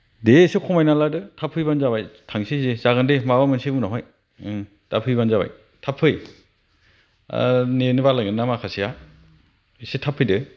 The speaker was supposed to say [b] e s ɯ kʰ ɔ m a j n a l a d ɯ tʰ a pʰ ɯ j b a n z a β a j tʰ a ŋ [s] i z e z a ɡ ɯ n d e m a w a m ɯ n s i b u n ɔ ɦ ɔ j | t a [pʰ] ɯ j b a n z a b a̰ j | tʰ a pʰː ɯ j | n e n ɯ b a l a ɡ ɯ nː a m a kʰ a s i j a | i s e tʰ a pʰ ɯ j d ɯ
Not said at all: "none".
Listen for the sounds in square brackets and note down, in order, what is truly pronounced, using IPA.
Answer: d, s, pʰ

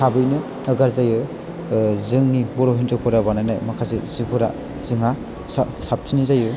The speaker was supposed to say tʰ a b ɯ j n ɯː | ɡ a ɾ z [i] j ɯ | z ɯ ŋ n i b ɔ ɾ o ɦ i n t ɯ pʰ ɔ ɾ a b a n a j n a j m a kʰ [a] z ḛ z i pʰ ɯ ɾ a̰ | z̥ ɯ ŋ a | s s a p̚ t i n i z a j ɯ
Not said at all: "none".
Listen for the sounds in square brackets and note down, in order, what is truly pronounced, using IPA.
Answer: a, a

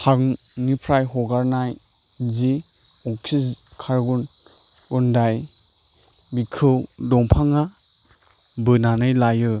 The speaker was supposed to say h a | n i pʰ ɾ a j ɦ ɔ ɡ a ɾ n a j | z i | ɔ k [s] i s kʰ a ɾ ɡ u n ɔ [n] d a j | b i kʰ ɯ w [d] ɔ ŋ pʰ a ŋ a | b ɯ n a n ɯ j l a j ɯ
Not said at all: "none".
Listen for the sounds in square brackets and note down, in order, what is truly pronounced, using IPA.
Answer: s, n, d

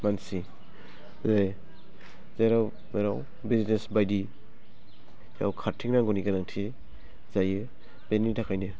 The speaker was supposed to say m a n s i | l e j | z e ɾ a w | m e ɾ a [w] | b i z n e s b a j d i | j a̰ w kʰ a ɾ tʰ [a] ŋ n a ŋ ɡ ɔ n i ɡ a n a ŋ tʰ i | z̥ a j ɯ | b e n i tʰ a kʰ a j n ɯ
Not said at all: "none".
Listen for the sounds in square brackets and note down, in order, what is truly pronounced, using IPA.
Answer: w, i

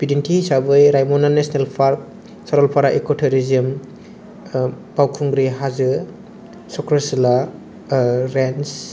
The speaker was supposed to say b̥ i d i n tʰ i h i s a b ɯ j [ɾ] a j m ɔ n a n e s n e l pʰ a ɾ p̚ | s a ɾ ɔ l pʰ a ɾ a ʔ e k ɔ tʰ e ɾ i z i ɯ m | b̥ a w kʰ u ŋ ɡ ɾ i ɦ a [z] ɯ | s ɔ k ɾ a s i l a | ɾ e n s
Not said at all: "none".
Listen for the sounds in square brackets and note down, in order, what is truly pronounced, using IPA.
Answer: ɾ, z

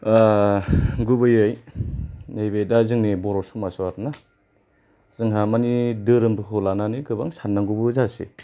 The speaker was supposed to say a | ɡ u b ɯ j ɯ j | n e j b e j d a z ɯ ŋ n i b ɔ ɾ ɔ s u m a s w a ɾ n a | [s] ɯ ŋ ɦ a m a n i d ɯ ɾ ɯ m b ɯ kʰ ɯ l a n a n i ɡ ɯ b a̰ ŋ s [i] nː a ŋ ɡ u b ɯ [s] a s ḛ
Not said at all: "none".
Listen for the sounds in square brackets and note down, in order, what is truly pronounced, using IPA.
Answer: z, a, z

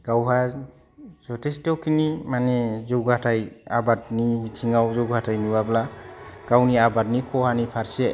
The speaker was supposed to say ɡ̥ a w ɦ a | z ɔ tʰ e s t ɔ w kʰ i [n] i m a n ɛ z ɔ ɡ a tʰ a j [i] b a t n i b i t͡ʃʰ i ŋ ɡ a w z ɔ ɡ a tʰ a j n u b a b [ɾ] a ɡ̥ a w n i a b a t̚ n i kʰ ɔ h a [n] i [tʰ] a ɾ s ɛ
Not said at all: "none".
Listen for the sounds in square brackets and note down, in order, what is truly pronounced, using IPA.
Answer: n, a, l, n, pʰ

